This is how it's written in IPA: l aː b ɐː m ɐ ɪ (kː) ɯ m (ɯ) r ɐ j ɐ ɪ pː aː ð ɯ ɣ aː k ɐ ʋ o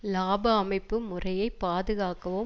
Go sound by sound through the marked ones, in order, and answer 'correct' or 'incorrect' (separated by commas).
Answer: incorrect, incorrect